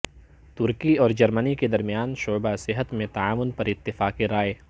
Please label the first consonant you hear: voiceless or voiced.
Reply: voiceless